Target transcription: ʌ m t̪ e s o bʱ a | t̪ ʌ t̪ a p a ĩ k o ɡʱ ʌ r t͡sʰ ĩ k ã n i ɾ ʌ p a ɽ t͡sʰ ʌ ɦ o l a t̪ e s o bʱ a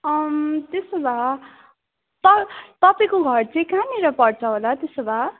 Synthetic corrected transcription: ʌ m t̪ e s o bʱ a | t̪ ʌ t̪ ʌ p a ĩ k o ɡʱ ʌ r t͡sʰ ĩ k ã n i ɾ ʌ p ʌ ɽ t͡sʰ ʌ ɦ o l a t̪ e s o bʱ a

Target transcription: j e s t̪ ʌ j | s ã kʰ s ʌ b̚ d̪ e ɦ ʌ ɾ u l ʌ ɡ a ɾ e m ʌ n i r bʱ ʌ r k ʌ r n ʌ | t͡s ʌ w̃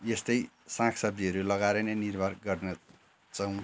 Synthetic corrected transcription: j e s t̪ ʌ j | s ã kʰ s ʌ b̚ d̪ i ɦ ʌ ɾ u l ʌ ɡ a ɾ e n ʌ n i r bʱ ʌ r ɡ ʌ r n ʌ | t͡s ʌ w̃

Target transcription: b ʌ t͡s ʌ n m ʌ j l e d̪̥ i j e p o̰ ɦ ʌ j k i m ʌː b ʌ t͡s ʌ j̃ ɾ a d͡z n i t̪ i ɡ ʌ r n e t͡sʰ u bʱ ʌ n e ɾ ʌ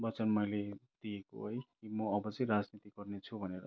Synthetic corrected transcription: b ʌ t͡s ʌ n m ʌ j l e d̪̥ i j e k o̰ ɦ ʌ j k i m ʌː b ʌ t͡s ʌ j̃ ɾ a d͡z n i t̪ i ɡ ʌ r n e t͡sʰ u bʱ ʌ n e ɾ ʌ

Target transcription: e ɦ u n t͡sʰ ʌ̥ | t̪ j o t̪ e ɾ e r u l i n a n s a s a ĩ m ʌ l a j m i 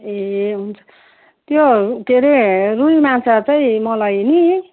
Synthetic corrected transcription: e ɦ u n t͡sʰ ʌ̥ | t̪ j o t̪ e ɾ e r u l i m a n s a t͡s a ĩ m ʌ l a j n i

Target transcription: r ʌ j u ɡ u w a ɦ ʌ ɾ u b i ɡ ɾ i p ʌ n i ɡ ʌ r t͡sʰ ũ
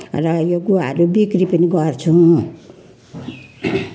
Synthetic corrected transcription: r ʌ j o ɡ u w a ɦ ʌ ɾ u b i k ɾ i p ʌ n i ɡ ʌ r t͡sʰ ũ

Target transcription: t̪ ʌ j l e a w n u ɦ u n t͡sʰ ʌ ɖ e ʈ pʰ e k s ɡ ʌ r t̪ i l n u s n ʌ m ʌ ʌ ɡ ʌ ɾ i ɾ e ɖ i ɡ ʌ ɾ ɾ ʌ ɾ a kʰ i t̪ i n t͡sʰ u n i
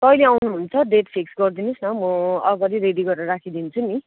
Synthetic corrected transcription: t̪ ʌ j l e a w n u ɦ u n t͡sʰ ʌ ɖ e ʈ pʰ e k s ɡ ʌ r d̪ i n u s n ʌ m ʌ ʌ ɡ ʌ ɾ i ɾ e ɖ i ɡ ʌ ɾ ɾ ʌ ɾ a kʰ i d̪ i n t͡sʰ u n i

